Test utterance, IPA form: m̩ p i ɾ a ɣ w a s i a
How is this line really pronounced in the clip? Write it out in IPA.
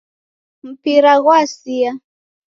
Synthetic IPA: m̩ p i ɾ a ɣ w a s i a

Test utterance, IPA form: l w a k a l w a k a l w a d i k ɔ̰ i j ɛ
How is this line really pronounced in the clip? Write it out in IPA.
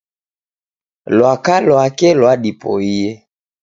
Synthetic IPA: l w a k a l w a k ɛ l w a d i p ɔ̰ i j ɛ

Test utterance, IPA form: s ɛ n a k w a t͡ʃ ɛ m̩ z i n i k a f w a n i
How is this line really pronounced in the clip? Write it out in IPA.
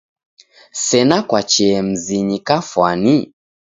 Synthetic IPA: s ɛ n a k w a t͡ʃ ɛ m̩ z i ɲ i k a f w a n i

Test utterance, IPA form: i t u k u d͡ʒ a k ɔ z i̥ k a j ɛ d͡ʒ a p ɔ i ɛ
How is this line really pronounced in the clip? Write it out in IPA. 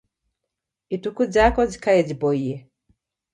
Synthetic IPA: i t u k u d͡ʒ a k ɔ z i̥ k a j ɛ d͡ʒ i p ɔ i ɛ

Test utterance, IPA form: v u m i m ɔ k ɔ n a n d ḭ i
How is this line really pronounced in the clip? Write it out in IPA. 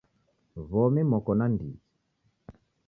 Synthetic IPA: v ɔ m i m ɔ k ɔ n a n d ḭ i

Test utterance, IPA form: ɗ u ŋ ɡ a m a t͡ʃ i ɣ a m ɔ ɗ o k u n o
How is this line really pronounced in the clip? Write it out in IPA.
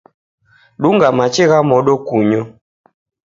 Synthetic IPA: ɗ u ŋ ɡ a m a t͡ʃ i ɣ a m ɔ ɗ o k u ɲ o

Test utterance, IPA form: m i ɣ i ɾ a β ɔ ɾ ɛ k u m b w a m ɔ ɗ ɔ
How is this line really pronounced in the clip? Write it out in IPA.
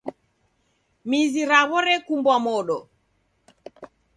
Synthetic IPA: m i z i ɾ a β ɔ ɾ ɛ k u m b w a m ɔ ɗ ɔ

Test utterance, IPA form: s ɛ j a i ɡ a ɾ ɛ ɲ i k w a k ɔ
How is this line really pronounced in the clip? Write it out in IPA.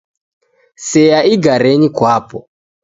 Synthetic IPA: s ɛ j a i ɡ a ɾ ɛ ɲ i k w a p ɔ

